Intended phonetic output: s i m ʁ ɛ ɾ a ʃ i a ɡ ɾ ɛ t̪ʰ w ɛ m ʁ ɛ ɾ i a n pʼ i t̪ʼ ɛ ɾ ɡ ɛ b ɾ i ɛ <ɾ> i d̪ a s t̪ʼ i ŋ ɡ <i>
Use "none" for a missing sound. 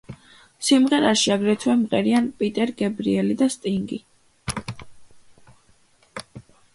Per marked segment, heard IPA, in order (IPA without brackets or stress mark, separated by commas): l, i